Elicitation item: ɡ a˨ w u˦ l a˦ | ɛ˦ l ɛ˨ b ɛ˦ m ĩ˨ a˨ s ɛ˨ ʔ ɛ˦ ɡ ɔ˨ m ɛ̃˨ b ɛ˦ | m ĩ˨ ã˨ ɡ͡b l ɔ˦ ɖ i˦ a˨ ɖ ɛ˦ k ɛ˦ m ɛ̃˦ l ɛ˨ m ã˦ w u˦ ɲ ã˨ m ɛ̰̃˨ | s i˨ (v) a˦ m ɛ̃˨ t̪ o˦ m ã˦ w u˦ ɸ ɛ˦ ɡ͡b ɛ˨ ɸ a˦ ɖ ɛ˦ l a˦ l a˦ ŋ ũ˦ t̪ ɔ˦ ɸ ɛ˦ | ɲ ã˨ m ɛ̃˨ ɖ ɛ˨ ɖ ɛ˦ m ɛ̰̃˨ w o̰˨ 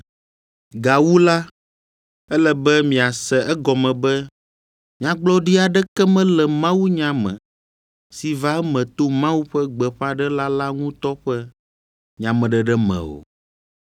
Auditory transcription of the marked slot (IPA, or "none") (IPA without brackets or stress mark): v